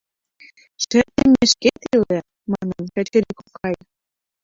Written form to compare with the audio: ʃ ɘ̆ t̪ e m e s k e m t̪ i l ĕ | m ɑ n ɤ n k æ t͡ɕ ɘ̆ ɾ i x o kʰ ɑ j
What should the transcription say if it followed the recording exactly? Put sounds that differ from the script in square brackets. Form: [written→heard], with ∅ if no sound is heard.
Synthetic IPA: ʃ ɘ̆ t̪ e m e [s→ʃ] k e [m→∅] t̪ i l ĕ | m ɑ n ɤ n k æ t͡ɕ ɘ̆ ɾ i [x→k] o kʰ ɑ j